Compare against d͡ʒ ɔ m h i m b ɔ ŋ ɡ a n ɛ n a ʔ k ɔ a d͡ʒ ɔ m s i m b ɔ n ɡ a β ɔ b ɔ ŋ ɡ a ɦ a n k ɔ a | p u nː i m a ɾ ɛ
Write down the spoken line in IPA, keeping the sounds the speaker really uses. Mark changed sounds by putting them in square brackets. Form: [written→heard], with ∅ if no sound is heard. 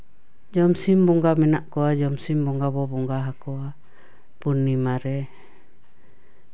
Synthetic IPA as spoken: d͡ʒ ɔ m [h→s] i m b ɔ ŋ ɡ a [n→m] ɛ n a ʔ k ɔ a d͡ʒ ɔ m s i m b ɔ [n→ŋ] ɡ a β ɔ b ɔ ŋ ɡ a ɦ a [n→∅] k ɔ a | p u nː i m a ɾ ɛ